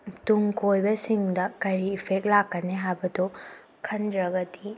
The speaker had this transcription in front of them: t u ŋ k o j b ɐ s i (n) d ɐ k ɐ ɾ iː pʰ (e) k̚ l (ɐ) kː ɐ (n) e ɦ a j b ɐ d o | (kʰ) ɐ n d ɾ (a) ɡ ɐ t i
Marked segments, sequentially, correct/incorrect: incorrect, correct, incorrect, correct, correct, incorrect

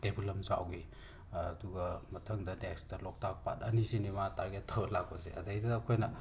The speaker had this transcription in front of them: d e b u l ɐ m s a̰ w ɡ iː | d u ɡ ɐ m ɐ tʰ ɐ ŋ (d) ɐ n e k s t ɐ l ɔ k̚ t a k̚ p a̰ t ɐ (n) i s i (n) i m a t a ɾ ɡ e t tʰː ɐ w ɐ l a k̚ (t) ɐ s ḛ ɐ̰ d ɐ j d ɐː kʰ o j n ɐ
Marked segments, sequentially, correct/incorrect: correct, correct, correct, incorrect

